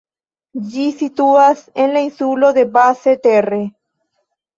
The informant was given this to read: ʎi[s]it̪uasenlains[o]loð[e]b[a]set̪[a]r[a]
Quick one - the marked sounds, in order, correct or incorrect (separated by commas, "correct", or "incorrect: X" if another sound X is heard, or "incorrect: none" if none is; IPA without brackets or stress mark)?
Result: correct, incorrect: u, correct, correct, incorrect: e, incorrect: e